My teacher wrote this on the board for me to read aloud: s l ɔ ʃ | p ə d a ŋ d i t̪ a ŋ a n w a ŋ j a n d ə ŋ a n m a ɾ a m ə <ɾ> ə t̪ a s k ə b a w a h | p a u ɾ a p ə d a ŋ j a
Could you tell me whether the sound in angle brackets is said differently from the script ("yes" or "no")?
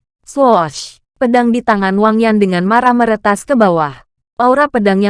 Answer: no